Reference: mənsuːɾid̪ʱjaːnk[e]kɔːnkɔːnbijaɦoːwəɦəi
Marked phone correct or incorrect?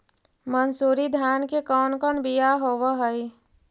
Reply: correct